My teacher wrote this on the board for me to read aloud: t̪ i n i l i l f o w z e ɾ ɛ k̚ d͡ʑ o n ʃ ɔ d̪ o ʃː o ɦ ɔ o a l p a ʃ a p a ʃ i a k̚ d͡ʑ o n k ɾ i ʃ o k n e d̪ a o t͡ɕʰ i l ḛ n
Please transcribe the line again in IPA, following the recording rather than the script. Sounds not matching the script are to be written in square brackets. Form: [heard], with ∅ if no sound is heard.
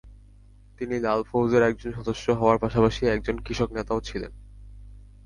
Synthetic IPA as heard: t̪ i n i l [a] l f o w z e ɾ ɛ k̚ d͡ʑ o n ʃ ɔ d̪ o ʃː o ɦ ɔ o a [ɾ] p a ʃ a p a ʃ i [ɛ] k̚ d͡ʑ o n k ɾ i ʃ o k n e [t̪] a o t͡ɕʰ i l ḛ n